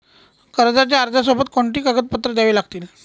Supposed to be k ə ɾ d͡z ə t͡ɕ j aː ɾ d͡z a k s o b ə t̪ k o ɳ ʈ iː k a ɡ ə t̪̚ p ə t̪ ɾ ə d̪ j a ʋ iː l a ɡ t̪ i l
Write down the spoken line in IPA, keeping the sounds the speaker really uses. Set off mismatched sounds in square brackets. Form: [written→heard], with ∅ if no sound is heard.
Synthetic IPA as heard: k ə ɾ d͡z [ə→a] t͡ɕ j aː ɾ d͡z a [k→∅] s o b ə t̪ k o ɳ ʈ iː k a ɡ ə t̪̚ p ə t̪ ɾ ə d̪ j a ʋ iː l a ɡ t̪ [i→iː] l